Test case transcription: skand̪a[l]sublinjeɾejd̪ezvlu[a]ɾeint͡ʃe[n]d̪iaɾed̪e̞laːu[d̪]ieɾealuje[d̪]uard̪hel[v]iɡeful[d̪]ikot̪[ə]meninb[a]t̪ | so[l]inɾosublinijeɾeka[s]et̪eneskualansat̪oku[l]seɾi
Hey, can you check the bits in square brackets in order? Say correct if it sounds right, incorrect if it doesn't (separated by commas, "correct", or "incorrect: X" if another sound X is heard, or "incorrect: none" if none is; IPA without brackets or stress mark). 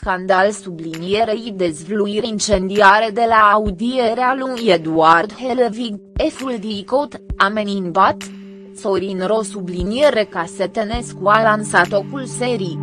correct, incorrect: i, correct, correct, correct, correct, correct, incorrect: a, correct, incorrect: ɾ, correct, correct